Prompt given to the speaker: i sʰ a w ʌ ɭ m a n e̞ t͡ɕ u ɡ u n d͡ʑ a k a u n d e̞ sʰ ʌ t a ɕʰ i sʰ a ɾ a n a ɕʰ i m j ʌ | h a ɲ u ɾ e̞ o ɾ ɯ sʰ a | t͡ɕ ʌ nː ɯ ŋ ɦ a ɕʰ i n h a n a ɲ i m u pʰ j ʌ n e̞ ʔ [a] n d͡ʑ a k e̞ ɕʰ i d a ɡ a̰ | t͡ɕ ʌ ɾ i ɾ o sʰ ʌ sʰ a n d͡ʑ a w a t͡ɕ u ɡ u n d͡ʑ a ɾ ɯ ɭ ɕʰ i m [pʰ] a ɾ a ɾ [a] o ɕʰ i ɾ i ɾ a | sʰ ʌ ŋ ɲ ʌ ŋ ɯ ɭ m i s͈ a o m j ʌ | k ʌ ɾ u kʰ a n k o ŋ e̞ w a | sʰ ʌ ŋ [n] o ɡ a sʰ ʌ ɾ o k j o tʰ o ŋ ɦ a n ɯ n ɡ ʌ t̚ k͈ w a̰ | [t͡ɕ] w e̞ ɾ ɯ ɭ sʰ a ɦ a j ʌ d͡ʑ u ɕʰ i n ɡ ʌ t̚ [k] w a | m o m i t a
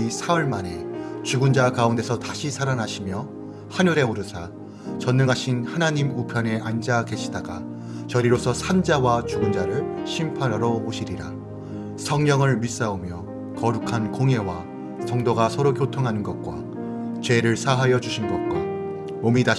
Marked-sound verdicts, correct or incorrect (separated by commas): correct, correct, incorrect, incorrect, correct, correct